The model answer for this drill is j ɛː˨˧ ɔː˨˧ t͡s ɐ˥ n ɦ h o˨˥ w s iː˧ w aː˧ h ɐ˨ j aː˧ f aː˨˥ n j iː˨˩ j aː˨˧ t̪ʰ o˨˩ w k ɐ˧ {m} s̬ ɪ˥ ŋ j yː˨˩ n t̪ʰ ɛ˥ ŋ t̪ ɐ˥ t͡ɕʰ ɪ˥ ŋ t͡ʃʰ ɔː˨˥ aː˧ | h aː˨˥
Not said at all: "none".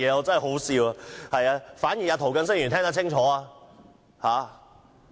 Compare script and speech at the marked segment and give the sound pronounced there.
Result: n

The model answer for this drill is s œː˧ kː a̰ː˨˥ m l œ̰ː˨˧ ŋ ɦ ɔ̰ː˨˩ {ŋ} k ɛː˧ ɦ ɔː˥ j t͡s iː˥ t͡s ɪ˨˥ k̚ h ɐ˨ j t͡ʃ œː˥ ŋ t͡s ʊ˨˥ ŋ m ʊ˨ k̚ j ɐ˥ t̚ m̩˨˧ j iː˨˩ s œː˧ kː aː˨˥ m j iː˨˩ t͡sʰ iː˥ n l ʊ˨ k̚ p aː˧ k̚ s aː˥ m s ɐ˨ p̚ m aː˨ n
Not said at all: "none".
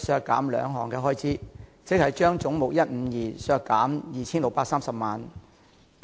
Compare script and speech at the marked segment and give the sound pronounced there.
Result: ŋ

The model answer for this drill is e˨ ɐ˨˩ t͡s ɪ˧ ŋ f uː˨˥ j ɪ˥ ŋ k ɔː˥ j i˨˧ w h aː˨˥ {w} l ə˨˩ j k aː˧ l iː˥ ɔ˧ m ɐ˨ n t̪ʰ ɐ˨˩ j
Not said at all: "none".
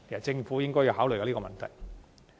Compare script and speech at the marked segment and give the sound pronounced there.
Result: w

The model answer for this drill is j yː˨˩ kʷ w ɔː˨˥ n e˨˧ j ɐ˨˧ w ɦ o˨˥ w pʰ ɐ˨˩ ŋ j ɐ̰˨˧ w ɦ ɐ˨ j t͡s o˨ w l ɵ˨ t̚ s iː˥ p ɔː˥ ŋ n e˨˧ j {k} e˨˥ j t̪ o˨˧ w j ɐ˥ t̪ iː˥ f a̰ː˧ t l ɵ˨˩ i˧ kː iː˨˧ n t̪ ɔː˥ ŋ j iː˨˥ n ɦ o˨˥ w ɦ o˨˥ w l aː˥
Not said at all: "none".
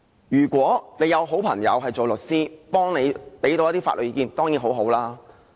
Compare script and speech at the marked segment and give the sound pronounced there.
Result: p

